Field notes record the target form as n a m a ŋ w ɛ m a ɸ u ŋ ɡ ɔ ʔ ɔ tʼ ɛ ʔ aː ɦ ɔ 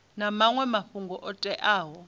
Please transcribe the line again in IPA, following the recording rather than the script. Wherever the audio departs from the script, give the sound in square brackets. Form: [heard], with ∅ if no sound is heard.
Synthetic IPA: n a m a ŋ w ɛ m a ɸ u ŋ ɡ ɔ ʔ ɔ tʼ ɛ ʔ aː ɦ ɔ